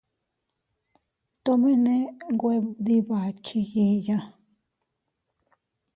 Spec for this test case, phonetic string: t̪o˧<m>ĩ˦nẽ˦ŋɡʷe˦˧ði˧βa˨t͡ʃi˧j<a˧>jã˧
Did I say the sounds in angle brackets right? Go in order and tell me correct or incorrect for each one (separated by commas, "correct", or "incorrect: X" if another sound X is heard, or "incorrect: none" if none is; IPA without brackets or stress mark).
correct, incorrect: i˧